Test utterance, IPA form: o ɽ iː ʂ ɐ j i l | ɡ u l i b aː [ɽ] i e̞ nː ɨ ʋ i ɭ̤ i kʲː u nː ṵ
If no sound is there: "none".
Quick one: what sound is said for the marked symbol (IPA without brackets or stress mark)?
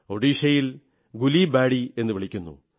ɽ